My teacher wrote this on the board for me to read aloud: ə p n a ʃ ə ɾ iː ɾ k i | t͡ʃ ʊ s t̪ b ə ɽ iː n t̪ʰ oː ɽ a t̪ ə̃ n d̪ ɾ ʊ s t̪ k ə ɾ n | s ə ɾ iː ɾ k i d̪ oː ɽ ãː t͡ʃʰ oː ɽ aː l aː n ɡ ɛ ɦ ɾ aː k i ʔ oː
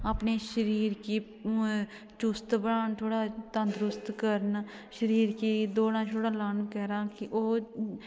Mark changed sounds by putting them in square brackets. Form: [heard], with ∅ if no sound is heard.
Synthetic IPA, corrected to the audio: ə p n [e] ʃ ə ɾ iː ɾ k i | t͡ʃ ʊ s t̪ b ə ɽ [aː] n t̪ʰ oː ɽ a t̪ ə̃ n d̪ ɾ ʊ s t̪ k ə ɾ n | [ʃ] ə ɾ iː ɾ k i d̪ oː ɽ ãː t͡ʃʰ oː ɽ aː l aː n [k] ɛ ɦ ɾ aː k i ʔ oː